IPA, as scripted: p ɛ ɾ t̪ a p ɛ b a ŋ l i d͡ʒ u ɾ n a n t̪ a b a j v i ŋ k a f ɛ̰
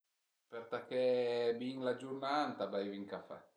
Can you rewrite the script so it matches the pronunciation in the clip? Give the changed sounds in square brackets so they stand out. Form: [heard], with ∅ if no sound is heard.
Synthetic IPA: p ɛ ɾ t̪ a [k] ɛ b [i] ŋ l [a] d͡ʒ u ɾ n a n t̪ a b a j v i ŋ k a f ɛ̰

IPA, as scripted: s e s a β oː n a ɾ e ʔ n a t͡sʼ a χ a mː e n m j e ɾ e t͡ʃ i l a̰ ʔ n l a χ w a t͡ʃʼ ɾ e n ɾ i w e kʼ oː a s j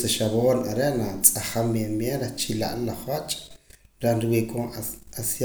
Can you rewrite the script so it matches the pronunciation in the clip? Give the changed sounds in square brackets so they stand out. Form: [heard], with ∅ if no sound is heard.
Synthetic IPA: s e [ʃ] a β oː n a ɾ e ʔ n a t͡sʼ a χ a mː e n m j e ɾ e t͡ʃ i l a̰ ʔ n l a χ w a t͡ʃʼ ɾ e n ɾ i w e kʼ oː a s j

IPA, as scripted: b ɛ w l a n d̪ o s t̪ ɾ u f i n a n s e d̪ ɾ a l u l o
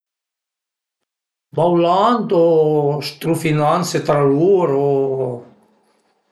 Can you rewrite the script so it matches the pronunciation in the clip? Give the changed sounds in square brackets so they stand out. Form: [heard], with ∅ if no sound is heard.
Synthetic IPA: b [a] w l a n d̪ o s t̪ ɾ u f i n a n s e [t̪] ɾ a l u [ɾ] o

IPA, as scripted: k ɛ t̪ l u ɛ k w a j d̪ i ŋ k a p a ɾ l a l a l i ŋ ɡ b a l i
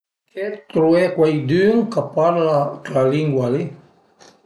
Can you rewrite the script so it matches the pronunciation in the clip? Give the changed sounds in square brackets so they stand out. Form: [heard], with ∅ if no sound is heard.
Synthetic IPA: k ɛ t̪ [ɾ] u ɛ k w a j d̪ [y] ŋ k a p a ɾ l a l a l i ŋ ɡ [w] a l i

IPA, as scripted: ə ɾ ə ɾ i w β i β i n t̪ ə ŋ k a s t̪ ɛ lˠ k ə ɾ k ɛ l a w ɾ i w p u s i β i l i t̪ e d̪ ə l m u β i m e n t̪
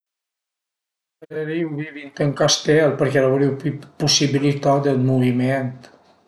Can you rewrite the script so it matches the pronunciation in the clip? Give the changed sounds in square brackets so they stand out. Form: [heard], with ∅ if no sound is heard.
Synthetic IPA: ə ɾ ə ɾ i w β i β i n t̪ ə ŋ k a s t̪ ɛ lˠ [p] ə ɾ k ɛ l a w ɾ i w p u s i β i l i t̪ [a] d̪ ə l m u β i m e n t̪

